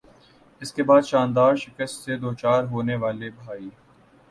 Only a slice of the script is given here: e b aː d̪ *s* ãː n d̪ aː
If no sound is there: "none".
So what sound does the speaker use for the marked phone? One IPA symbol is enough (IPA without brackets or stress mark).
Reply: ʃ